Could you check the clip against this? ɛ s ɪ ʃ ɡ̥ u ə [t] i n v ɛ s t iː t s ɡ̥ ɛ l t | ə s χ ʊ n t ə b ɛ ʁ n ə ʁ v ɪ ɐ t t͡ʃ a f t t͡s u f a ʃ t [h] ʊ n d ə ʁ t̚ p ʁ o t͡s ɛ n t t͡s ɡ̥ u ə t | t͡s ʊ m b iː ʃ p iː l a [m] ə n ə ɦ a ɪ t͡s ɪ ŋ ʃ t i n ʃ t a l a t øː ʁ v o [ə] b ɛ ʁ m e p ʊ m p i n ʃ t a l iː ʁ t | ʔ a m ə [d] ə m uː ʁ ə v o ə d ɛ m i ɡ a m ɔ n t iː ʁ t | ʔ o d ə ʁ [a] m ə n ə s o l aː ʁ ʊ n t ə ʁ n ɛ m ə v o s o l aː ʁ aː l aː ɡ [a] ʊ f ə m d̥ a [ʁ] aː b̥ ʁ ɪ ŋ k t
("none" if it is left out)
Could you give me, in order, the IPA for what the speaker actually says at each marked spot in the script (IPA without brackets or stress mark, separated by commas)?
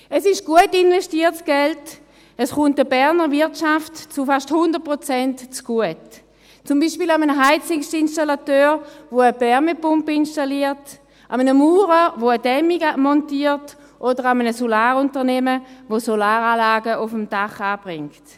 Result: t, h, m, ə, n, a, ə, χ